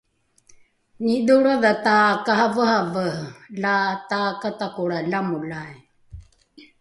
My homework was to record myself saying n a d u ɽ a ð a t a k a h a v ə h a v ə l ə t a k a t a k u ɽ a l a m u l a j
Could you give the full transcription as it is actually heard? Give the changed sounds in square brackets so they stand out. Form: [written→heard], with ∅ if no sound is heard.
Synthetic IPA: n [a→i] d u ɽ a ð a t a k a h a v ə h a v ə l [ə→a] t a k a t a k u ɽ a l a m u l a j